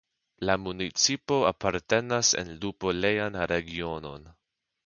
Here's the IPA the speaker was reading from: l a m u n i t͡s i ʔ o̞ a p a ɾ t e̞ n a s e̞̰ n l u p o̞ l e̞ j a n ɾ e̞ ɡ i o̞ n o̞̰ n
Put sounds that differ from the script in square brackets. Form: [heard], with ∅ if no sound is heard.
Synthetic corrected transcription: l a m u n i t͡s i [p] o̞ a p a ɾ t e̞ n a s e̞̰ n l u p o̞ l e̞ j a n ɾ e̞ ɡ i o̞ n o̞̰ n